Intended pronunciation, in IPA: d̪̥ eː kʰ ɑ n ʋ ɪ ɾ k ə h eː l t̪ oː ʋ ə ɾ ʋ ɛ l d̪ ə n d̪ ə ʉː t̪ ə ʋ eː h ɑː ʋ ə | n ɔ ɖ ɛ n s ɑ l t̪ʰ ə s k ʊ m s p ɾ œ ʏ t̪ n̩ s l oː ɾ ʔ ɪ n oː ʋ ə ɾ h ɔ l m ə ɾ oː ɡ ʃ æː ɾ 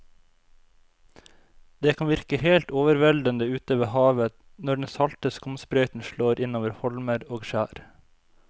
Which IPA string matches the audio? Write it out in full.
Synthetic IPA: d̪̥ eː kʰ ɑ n ʋ ɪ ɾ k ə h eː l t̪ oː ʋ ə ɾ ʋ ɛ l d̪ ə n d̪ ə ʉː t̪ ə ʋ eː h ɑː ʋ ə | n ɔ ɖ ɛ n s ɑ l t̪ ə s k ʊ m s p ɾ œ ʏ t̪ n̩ ʃ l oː ɾ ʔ ɪ n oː ʋ ə ɾ h ɔ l m ə ɾ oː ɡ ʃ æː ɾ